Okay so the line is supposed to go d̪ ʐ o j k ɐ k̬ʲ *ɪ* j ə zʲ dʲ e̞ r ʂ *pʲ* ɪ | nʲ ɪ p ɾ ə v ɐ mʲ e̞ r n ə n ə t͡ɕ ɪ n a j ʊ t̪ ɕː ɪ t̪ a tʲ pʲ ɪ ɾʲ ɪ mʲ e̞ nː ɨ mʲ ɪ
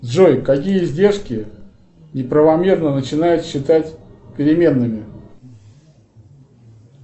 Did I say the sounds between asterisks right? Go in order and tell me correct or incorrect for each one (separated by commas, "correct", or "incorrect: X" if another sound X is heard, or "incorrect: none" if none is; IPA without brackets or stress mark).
incorrect: i, incorrect: kʲ